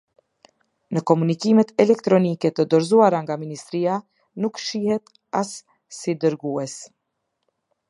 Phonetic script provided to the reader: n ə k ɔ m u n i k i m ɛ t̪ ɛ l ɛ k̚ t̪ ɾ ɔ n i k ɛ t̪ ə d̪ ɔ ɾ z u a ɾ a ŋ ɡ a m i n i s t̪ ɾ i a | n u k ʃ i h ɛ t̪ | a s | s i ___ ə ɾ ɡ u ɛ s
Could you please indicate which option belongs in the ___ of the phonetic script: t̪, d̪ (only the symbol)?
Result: d̪